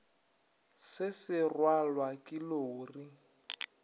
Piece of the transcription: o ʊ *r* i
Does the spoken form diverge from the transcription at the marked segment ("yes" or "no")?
no